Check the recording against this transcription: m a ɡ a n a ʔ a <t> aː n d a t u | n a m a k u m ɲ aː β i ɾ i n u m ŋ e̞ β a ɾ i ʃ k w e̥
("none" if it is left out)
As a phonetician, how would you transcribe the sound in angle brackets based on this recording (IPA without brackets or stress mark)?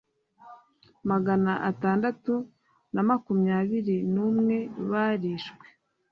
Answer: t